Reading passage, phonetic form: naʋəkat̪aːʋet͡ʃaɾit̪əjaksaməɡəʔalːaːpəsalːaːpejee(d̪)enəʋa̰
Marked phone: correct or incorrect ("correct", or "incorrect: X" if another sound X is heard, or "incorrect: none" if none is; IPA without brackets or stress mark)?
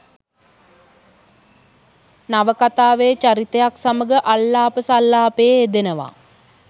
correct